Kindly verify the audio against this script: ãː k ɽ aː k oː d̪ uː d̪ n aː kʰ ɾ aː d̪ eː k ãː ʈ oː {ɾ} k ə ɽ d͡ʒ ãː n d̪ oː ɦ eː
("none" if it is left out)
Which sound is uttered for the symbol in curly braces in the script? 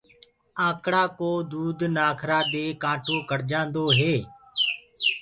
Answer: none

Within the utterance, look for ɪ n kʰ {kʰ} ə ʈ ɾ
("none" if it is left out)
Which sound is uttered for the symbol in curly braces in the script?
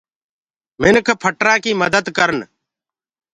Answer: pʰ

